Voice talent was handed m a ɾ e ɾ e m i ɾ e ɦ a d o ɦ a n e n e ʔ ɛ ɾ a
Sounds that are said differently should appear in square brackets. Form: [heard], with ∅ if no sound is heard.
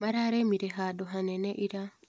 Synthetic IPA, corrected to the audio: m a ɾ [a] ɾ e m i ɾ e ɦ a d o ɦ a n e n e ʔ [i] ɾ a